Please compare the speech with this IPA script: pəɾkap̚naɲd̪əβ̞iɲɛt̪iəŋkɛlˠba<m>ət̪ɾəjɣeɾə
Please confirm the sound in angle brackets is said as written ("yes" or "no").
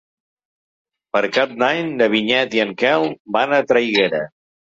no